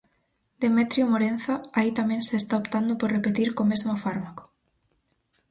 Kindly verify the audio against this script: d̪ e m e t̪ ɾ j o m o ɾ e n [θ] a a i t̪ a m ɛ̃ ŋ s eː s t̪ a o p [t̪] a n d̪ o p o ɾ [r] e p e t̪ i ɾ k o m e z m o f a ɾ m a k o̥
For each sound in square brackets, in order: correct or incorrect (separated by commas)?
correct, correct, correct